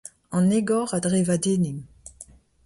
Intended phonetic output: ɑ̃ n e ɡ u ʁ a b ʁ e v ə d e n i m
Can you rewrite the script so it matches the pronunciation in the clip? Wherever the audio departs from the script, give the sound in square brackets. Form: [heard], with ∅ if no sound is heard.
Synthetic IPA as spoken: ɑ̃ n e ɡ [ɔ] ʁ a [d] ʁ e v [a] d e n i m